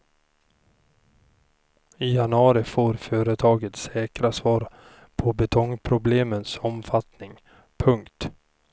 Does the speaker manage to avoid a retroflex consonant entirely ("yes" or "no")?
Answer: yes